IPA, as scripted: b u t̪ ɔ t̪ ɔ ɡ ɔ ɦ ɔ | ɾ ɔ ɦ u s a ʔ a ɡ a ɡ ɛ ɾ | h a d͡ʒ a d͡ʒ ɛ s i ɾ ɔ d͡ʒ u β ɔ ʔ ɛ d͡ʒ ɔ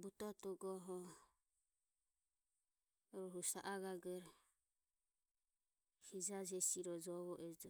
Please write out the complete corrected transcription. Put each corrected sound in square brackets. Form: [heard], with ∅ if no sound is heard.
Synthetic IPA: b u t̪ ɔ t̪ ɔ ɡ ɔ ɦ ɔ | ɾ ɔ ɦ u s a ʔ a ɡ a ɡ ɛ ɾ | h [i] d͡ʒ a d͡ʒ ɛ s i ɾ ɔ d͡ʒ [ɔ] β ɔ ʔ ɛ d͡ʒ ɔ

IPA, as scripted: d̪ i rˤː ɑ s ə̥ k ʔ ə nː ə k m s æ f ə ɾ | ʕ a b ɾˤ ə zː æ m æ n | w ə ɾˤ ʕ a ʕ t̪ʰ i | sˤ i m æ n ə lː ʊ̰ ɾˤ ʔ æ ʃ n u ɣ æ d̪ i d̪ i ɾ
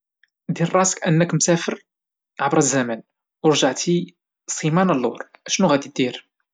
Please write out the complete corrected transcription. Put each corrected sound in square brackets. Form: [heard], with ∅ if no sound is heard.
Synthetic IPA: d̪ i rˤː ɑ s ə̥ k ʔ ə nː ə k m s æ f ə ɾ | ʕ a b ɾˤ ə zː æ m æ n | w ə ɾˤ [ʒ] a ʕ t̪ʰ i | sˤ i m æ n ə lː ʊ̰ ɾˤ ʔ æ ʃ n u ɣ æ d̪ i d̪ i ɾ

